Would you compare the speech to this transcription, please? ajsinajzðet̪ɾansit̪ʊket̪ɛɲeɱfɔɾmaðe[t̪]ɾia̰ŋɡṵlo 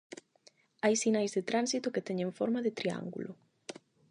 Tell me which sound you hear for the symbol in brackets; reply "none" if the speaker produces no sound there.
t̪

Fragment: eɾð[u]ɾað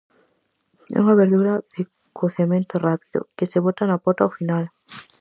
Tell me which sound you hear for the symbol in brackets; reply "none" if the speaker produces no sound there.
u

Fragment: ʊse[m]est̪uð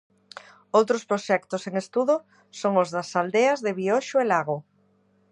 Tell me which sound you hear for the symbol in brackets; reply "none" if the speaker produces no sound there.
ŋ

